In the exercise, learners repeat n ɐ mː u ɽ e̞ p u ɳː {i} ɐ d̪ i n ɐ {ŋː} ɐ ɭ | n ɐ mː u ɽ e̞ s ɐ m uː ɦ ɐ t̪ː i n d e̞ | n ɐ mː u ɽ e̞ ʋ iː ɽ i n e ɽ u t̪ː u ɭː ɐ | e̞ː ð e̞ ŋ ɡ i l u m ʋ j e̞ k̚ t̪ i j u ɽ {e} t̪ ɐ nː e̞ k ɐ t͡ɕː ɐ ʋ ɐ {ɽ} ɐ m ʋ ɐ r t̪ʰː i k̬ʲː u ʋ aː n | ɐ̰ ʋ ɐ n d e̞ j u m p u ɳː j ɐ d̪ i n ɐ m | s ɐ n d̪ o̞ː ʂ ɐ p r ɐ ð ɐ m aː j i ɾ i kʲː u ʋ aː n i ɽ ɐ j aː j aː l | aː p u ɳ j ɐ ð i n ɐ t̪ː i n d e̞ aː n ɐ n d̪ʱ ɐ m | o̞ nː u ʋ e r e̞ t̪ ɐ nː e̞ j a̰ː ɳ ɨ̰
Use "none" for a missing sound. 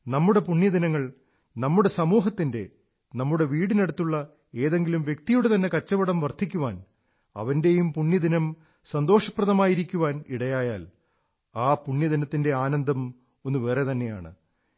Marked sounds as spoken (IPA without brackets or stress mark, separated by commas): j, ŋː, e, ɽ